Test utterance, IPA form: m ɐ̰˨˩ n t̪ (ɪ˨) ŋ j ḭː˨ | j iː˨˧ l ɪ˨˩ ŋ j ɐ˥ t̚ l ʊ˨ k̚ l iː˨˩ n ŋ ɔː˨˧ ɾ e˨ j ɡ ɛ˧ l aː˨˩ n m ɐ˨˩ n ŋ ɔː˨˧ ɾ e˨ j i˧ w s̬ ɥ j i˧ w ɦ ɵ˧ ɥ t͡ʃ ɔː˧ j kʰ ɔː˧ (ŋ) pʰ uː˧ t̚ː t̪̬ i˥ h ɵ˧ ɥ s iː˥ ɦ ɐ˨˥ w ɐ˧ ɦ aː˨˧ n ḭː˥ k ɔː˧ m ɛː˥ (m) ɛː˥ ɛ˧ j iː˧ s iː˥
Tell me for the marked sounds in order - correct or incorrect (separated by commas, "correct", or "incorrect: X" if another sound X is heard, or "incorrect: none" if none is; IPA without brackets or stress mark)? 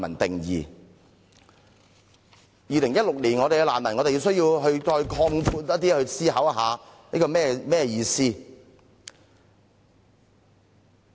correct, correct, correct